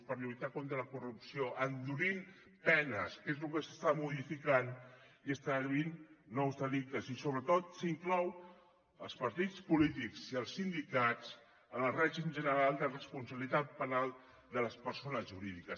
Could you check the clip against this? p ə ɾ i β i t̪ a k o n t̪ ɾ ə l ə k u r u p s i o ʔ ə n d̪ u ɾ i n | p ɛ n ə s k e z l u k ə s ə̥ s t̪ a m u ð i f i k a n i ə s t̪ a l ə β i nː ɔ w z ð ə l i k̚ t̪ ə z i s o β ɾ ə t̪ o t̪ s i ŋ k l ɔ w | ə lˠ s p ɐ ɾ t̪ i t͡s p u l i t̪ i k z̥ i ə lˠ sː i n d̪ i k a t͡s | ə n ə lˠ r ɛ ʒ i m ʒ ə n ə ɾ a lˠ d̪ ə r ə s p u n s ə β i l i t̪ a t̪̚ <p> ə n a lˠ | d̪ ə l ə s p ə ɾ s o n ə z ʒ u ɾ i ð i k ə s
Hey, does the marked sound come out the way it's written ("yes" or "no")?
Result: yes